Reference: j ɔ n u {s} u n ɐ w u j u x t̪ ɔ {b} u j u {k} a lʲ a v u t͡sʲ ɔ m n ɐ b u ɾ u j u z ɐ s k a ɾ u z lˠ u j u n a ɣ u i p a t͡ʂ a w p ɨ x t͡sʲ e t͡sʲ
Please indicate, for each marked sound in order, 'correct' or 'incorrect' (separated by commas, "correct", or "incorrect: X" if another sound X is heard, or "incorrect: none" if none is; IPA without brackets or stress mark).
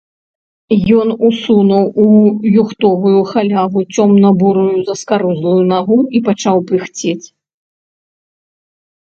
correct, incorrect: v, incorrect: x